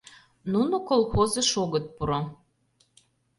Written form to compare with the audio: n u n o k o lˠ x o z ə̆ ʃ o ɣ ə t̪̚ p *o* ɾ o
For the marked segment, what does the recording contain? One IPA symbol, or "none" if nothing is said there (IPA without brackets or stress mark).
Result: u